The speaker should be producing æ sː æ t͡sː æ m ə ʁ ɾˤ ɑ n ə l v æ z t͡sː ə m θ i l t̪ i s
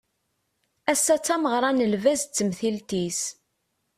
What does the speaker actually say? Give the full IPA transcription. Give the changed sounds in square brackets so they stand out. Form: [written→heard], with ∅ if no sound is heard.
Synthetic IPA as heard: æ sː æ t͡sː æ m ə ʁ ɾˤ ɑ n ə l v æ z t͡sː ə m θ i l t̪ i s